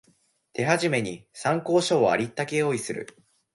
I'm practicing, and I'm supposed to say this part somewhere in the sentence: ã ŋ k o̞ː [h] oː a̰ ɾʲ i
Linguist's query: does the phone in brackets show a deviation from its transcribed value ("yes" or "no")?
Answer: yes